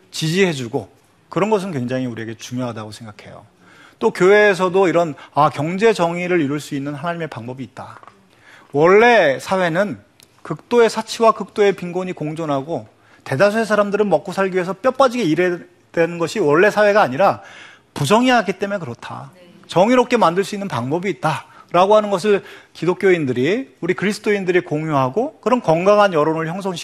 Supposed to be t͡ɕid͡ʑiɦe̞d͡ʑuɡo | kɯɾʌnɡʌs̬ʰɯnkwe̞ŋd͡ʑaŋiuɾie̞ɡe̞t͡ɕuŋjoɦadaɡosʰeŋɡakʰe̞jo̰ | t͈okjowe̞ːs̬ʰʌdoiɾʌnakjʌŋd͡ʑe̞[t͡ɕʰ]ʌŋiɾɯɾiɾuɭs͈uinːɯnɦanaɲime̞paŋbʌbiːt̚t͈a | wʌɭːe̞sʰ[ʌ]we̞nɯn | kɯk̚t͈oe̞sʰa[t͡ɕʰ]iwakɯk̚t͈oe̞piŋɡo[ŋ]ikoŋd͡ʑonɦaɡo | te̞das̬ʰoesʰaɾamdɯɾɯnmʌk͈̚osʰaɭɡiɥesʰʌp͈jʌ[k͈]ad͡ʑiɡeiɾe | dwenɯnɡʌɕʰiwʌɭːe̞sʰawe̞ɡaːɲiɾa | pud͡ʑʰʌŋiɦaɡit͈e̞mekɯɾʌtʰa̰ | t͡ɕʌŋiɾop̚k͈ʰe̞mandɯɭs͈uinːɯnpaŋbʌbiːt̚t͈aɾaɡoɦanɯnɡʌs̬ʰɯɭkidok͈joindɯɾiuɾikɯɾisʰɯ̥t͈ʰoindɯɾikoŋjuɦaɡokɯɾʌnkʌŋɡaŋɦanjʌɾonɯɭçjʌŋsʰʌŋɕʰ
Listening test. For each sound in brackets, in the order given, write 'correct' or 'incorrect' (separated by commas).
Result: incorrect, incorrect, correct, incorrect, incorrect